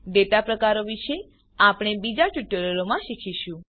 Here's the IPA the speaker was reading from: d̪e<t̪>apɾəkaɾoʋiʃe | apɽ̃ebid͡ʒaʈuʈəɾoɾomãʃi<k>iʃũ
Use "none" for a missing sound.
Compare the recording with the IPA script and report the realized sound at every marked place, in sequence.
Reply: t̪, kʰ

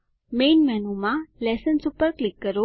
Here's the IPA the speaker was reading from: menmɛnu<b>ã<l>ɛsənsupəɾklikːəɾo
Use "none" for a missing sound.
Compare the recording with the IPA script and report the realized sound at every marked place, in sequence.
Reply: m, l

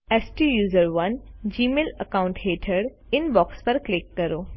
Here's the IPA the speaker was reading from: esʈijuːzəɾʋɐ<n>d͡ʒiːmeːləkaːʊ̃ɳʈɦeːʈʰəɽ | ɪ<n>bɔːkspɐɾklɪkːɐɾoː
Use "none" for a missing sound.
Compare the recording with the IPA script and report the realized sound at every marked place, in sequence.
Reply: n, n

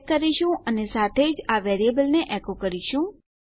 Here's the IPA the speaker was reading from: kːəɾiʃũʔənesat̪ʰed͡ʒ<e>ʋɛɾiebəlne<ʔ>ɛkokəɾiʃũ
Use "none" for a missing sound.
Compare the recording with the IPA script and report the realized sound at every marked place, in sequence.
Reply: a, ʔ

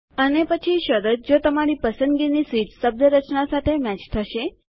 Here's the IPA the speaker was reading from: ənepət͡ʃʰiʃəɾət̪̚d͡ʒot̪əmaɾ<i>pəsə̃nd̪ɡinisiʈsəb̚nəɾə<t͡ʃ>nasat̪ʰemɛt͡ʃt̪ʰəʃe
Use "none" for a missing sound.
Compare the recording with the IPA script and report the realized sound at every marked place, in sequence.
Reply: i, t͡ʃ

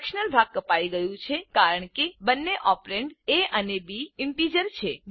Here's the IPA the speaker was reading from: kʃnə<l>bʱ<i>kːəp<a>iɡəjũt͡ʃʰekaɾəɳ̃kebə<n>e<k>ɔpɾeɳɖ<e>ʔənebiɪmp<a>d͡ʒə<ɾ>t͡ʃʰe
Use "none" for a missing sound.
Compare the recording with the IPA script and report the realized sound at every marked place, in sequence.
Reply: l, a, a, nː, ʔ, e, i, ɾ

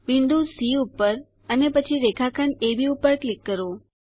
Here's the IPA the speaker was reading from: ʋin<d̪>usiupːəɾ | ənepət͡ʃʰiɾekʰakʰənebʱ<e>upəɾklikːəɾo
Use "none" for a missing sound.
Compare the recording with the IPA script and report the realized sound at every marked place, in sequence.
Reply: d̪, i

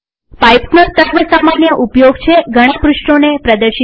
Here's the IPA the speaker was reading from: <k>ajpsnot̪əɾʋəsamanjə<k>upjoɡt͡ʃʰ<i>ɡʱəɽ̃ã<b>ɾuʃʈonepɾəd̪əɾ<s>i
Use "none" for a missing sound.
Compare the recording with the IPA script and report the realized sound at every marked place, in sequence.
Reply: p, ʔ, e, p, ʃ

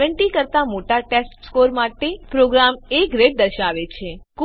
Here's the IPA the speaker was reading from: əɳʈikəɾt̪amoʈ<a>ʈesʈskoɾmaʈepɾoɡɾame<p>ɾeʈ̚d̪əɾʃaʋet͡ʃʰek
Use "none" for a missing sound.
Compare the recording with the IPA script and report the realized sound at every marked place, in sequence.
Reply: a, k

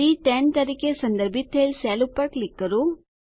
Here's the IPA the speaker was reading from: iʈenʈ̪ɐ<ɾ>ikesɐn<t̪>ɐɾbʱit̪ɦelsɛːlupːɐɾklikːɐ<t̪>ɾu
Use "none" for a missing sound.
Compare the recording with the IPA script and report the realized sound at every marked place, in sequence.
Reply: ɾ, d̪, none

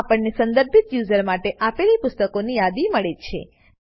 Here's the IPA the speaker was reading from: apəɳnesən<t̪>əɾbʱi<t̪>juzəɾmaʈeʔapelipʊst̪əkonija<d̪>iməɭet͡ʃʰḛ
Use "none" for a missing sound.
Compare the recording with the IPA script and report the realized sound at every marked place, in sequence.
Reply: d̪, t̪, d̪

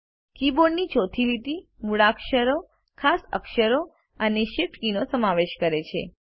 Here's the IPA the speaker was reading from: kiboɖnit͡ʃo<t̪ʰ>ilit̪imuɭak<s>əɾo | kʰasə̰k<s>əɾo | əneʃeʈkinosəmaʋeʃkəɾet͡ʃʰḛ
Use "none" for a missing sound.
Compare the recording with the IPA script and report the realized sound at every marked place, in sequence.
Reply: t̪ʰ, ʃ, ʃ

